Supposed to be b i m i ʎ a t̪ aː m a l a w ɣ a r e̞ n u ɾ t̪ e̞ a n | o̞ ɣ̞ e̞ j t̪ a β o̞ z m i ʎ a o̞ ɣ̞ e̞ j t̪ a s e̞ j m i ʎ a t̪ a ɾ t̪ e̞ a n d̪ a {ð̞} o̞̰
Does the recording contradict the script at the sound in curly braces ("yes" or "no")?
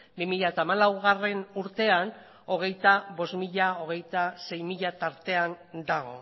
yes